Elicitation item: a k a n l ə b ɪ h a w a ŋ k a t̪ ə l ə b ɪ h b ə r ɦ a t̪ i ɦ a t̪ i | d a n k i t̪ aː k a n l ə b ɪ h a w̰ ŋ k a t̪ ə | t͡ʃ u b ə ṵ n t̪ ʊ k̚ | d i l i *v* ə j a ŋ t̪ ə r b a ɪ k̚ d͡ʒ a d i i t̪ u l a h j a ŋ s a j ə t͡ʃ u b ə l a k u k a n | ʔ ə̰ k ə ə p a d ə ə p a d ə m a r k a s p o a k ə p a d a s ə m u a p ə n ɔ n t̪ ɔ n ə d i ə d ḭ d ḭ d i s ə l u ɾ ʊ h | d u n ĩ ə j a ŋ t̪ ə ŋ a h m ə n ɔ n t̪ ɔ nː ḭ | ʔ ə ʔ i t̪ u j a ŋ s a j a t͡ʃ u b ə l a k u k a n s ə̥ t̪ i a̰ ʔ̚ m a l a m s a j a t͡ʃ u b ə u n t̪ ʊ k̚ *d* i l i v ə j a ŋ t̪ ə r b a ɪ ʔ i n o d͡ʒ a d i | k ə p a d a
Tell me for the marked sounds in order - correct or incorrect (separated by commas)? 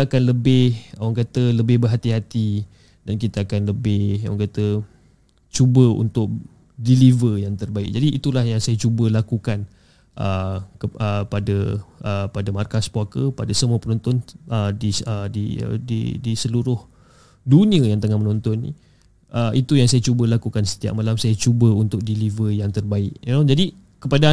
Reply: correct, correct